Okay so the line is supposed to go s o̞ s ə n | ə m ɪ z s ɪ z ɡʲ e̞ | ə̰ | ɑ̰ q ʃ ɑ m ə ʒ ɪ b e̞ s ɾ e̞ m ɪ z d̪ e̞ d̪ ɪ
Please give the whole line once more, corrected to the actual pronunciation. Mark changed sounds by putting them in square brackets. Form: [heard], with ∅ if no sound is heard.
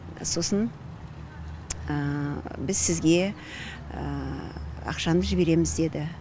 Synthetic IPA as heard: s o̞ s ə n | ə [b] ɪ z s ɪ z ɡʲ e̞ | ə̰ | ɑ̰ q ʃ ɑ [n] ə ʒ ɪ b e̞ [∅] ɾ e̞ m ɪ z d̪ e̞ d̪ ɪ